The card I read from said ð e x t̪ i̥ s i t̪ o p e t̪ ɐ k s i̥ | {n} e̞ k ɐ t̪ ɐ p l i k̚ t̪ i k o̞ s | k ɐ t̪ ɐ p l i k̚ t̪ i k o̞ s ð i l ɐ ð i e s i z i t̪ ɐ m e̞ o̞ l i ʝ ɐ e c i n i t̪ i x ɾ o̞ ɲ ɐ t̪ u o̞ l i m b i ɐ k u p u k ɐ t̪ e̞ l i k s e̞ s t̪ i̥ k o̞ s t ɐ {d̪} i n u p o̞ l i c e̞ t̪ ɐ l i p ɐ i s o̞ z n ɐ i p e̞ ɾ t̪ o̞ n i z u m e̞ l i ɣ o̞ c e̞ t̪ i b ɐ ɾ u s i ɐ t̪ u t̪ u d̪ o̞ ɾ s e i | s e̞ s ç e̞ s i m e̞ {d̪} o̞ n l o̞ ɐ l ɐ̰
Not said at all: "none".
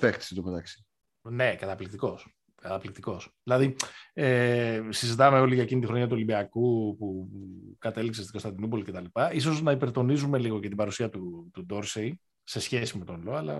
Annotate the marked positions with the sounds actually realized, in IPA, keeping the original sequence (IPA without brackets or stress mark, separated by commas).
n, d̪, t̪